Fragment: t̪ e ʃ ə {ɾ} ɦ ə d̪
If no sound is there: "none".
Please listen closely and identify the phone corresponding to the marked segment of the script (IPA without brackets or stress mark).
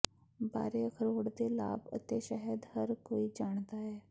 none